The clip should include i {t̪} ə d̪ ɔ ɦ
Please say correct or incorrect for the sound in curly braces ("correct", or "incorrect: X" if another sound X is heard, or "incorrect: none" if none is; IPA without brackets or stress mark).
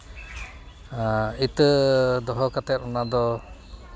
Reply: correct